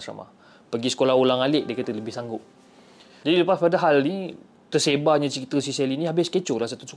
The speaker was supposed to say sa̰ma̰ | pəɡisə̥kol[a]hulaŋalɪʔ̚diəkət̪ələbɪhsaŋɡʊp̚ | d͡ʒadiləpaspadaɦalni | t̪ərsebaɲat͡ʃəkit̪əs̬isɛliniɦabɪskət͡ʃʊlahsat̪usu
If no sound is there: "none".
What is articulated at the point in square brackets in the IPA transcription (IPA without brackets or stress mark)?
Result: a